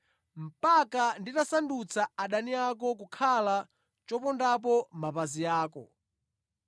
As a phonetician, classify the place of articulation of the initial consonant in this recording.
labial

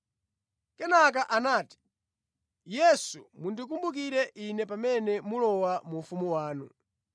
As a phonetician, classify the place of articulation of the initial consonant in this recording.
velar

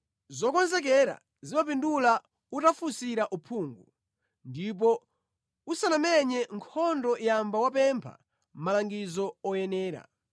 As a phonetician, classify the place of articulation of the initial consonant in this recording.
alveolar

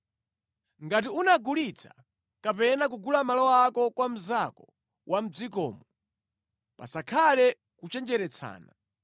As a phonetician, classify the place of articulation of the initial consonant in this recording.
velar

